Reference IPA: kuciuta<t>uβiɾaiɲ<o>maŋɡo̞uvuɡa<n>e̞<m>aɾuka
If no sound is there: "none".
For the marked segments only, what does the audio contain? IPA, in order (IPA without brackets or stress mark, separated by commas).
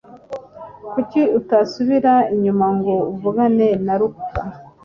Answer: s, u, n, n